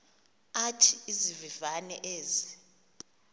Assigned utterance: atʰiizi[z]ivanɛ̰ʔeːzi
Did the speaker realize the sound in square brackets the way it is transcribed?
no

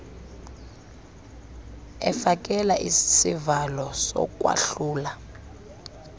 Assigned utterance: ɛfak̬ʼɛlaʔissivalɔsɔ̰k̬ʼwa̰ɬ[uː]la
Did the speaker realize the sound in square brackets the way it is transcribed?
yes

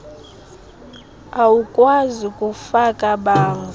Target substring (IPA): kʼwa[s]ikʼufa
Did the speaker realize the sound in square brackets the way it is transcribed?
no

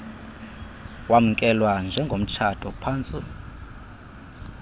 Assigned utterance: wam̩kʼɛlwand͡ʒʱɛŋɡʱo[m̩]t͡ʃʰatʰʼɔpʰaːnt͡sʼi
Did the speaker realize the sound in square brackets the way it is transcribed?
yes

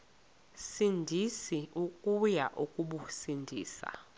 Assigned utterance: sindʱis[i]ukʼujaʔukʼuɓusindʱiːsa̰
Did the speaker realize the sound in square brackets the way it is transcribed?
yes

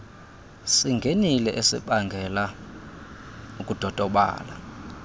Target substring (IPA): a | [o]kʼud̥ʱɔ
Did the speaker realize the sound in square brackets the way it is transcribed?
no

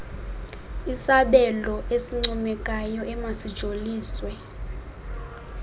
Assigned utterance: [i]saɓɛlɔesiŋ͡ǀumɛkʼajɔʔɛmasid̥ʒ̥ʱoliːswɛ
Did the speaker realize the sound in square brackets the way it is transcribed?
yes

